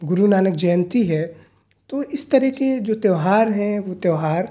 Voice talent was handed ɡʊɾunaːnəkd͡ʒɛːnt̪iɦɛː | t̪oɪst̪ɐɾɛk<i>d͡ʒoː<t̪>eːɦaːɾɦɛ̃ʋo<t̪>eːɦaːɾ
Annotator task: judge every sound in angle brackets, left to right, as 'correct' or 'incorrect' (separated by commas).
incorrect, correct, correct